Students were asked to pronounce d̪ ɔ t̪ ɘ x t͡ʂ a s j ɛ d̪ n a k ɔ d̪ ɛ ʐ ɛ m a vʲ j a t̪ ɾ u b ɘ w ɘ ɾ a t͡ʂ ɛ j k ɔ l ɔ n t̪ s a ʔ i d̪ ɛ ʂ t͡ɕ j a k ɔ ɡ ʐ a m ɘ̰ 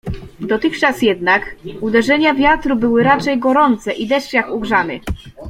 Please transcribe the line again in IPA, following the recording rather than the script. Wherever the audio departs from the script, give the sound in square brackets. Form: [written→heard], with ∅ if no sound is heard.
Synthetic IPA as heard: d̪ ɔ t̪ ɘ x t͡ʂ a s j ɛ d̪ n a k [ɔ→u] d̪ ɛ ʐ ɛ [m→ɲ] a vʲ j a t̪ ɾ u b ɘ w ɘ ɾ a t͡ʂ ɛ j [k→ɡ] ɔ [l→ɾ] ɔ n t̪ s [a→ɛ] ʔ i d̪ ɛ ʂ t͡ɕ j a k [ɔ→u] ɡ ʐ a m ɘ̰